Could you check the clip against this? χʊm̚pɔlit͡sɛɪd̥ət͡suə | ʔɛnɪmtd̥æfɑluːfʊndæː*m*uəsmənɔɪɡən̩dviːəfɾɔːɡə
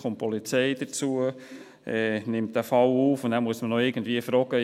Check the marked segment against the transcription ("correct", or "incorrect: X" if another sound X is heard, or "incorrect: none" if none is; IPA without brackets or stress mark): correct